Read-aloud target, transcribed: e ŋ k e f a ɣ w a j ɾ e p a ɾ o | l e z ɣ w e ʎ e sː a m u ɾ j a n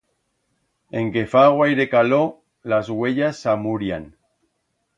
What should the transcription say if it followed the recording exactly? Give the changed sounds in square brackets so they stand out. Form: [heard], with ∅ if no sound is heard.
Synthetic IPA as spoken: e ŋ k e f a ɣ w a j ɾ e [k] a [l] o | l [a] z ɣ w e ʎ [a] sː a m u ɾ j a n